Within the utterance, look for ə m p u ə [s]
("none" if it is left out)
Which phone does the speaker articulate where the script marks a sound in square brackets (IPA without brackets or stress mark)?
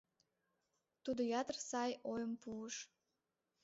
ʃ